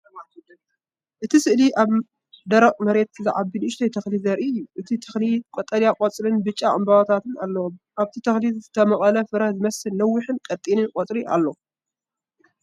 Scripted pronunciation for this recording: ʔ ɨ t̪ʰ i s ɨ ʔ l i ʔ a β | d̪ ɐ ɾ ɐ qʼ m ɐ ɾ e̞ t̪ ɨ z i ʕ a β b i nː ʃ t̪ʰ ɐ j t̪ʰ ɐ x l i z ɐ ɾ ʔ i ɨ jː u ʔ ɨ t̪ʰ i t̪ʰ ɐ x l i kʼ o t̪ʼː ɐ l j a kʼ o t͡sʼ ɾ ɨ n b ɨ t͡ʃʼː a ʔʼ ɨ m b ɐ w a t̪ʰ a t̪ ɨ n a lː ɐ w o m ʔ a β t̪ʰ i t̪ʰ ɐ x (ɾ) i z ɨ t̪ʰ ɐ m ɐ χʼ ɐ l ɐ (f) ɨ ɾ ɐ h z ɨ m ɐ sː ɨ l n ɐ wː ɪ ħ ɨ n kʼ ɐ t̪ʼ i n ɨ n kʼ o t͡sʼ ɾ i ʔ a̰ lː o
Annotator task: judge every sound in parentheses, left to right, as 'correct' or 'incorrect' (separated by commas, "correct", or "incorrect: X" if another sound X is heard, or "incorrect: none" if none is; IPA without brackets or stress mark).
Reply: incorrect: l, correct